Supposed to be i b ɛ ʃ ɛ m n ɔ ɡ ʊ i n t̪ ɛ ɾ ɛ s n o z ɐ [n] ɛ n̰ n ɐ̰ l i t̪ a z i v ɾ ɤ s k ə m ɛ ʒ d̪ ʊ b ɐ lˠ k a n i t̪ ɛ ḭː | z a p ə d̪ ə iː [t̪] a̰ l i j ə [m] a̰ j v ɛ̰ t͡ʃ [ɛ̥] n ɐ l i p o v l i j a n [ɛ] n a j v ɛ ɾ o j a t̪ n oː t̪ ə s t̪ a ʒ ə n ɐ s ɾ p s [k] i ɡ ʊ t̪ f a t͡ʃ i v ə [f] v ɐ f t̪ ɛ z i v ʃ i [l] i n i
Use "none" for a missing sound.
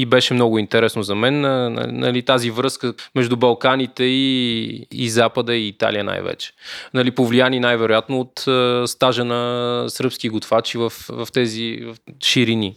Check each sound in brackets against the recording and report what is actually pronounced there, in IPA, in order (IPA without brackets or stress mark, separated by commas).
m, t̪, n, ɛ̥, i, k, f, ɾ